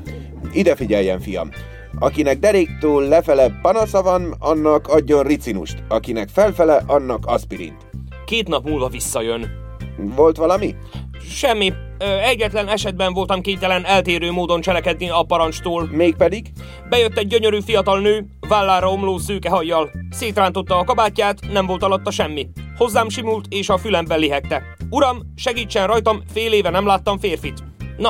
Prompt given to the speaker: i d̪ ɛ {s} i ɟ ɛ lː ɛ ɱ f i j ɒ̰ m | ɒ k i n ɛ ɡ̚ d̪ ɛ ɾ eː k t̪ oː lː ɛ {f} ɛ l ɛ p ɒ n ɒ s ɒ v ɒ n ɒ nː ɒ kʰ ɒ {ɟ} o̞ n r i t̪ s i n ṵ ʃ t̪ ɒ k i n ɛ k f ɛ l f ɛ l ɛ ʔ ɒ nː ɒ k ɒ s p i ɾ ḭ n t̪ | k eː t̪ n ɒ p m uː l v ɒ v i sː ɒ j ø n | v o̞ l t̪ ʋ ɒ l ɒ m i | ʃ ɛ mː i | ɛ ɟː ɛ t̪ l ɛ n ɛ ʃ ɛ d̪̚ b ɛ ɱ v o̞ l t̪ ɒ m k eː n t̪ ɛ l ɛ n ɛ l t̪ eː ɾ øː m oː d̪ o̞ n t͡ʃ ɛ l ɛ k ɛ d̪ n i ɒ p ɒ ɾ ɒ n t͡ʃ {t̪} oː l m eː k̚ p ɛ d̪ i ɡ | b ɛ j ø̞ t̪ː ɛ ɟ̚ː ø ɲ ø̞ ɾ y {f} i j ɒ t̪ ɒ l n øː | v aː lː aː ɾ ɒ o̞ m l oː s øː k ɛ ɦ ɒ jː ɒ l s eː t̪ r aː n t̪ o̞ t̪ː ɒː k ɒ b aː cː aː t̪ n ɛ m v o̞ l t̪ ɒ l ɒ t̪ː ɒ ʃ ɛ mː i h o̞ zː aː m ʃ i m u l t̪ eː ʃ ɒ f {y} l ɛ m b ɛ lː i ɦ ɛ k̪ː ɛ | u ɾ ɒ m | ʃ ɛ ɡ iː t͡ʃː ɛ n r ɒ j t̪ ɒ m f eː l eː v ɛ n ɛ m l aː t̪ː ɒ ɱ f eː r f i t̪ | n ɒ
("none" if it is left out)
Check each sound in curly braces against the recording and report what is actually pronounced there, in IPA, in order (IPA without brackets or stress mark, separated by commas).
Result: f, f, ɟː, t̪, f, y